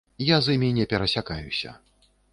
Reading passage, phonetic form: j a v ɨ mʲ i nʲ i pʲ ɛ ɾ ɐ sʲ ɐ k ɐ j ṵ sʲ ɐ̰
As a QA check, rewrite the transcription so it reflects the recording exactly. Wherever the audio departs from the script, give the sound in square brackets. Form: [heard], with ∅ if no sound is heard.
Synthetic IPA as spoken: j a [z] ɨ mʲ i nʲ [ɛ] pʲ ɛ ɾ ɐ sʲ [a] k [a] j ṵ sʲ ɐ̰